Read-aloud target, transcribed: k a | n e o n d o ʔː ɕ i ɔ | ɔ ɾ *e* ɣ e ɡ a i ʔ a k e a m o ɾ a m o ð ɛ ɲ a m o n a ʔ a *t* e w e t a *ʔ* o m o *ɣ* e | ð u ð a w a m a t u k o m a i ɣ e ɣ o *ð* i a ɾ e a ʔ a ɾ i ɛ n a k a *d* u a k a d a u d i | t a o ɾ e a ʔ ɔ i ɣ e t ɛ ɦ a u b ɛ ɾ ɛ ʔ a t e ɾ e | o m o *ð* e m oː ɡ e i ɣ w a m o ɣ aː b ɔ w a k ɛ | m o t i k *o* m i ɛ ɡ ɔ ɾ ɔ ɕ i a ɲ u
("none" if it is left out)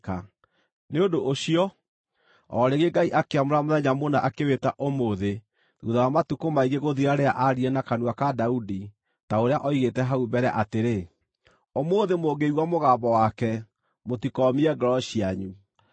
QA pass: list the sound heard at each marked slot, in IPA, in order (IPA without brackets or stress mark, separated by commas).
e, k, ʔ, ð, ð, n, ð, ɔ